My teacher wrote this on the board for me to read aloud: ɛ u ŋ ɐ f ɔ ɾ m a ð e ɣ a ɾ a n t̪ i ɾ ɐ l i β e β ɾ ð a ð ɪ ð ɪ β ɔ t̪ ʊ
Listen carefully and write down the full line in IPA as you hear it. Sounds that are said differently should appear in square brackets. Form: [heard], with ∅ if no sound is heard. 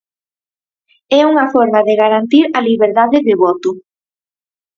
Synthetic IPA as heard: ɛ u ŋ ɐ f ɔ ɾ m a ð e ɣ a ɾ a n t̪ i ɾ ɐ l i β e [∅] ɾ ð a ð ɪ ð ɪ β ɔ t̪ ʊ